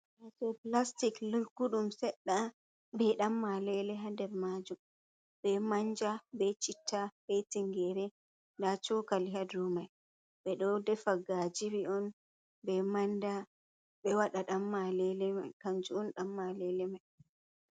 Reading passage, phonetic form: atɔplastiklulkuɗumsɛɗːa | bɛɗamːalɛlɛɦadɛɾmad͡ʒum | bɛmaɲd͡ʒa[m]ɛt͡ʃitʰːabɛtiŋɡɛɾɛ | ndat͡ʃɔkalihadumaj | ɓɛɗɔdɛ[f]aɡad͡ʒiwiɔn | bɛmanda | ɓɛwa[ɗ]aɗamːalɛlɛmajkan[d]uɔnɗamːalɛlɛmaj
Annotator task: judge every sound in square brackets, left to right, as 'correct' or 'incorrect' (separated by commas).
incorrect, correct, correct, incorrect